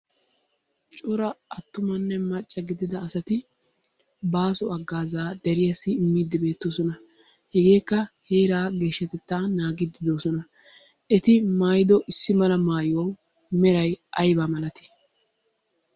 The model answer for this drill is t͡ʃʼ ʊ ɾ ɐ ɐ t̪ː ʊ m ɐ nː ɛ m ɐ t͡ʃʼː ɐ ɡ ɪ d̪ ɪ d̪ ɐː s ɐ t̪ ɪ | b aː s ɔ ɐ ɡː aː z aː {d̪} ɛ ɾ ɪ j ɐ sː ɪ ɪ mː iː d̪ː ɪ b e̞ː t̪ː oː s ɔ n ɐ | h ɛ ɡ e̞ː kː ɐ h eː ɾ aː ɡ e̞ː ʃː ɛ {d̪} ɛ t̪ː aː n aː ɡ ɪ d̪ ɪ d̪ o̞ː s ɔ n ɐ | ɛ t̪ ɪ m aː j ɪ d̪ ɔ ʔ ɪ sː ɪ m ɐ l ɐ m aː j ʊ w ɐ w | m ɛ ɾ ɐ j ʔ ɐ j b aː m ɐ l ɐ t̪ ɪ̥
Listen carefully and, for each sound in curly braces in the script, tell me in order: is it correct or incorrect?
correct, incorrect

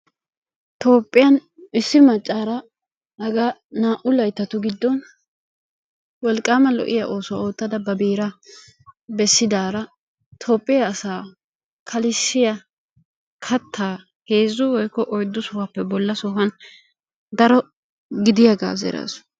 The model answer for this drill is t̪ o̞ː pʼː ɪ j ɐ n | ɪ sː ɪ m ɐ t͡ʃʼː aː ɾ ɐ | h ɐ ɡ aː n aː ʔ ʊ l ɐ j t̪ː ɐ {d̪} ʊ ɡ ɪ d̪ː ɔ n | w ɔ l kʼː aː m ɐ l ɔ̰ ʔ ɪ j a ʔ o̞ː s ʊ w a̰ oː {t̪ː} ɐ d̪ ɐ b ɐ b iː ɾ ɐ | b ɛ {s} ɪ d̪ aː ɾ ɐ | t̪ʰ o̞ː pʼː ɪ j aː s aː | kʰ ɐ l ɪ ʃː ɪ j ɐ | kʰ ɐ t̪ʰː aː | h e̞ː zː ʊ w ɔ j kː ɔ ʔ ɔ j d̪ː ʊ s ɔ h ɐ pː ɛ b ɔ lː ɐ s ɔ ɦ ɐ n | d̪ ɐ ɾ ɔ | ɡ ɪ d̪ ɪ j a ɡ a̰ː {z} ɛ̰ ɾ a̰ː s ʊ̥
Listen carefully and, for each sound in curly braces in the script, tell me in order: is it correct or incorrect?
incorrect, correct, incorrect, correct

